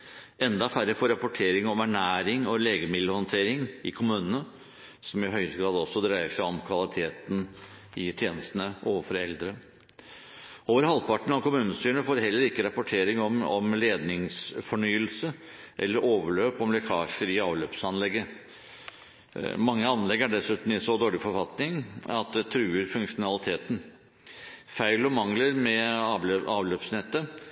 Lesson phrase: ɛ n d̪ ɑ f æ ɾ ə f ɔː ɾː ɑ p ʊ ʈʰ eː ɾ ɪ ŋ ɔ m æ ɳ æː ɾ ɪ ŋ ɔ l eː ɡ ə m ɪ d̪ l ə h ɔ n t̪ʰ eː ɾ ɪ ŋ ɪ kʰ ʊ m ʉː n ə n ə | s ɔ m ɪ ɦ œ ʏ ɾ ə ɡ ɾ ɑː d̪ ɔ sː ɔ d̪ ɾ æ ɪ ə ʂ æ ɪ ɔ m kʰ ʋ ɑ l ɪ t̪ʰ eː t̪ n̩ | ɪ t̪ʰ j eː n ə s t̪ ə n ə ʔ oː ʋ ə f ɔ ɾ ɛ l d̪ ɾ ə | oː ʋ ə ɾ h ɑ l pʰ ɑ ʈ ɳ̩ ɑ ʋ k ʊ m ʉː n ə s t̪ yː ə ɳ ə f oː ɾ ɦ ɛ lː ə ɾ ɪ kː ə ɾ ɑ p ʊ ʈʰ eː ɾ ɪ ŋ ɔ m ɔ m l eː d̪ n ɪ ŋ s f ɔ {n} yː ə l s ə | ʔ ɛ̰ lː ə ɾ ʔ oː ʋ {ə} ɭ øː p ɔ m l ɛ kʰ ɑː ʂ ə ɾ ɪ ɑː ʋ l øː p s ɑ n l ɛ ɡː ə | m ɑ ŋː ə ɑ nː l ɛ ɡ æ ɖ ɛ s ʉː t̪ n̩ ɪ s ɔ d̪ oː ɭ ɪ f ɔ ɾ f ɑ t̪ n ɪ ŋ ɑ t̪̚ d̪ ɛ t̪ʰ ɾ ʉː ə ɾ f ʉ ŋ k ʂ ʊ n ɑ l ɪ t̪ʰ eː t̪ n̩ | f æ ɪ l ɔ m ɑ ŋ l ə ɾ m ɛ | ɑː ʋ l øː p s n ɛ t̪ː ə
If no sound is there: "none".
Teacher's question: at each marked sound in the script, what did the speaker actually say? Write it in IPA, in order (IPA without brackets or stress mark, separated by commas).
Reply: ɳ, ə